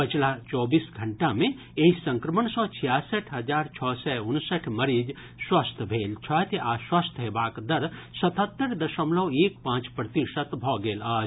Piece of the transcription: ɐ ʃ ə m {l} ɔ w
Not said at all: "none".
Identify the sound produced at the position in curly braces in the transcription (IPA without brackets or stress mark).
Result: l